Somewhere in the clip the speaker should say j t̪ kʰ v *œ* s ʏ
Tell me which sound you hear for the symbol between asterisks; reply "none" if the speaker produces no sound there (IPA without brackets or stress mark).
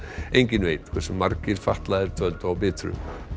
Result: ɛ